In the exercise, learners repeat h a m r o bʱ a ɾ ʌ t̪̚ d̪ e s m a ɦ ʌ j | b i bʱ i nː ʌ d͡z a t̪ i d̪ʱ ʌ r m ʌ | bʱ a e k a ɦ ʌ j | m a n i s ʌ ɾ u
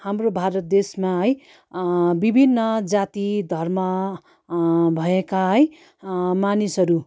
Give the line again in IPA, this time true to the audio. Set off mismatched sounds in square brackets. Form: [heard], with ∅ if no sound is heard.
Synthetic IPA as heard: h a m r o bʱ a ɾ ʌ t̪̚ d̪ e s m a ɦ ʌ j | b i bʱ i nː ʌ d͡z a t̪ i d̪ʱ ʌ r m ʌ | bʱ [ʌ] e k a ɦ ʌ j | m a n i s ʌ ɾ u